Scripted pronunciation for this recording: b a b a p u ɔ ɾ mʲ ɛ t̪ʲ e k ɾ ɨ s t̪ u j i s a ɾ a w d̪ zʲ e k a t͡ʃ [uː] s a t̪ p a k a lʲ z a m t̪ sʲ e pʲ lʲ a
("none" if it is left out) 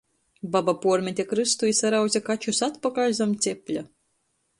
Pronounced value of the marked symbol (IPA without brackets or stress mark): u